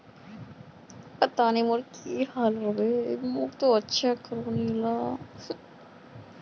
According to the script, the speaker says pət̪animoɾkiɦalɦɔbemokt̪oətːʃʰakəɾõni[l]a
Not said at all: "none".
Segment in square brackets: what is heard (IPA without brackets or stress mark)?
l